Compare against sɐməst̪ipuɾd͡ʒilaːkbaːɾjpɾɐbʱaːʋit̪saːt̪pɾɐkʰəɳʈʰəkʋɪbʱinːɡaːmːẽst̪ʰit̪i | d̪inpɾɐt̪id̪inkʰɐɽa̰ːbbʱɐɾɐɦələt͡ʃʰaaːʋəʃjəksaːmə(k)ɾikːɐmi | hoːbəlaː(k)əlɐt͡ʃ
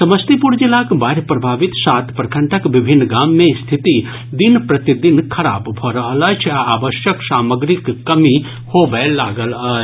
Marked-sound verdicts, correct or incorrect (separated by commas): incorrect, incorrect